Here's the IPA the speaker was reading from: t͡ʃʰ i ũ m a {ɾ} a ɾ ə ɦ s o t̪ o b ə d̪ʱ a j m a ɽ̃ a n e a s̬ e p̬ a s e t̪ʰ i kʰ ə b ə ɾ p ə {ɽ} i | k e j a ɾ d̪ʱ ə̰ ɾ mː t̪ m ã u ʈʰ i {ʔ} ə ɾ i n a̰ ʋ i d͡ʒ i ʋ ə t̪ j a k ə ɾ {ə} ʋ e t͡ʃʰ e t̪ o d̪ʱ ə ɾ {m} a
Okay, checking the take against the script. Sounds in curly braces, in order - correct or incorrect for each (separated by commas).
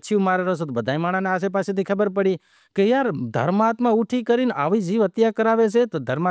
correct, correct, incorrect, incorrect, correct